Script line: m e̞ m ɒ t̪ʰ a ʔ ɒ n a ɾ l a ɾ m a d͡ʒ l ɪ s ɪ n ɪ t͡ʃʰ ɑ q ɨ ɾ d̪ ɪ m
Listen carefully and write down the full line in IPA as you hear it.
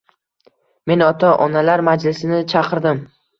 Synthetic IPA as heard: m e̞ n ɒ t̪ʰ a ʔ ɒ n a l a ɾ m a d͡ʒ l ɪ s ɪ n ɪ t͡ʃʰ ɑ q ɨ ɾ d̪ ɪ m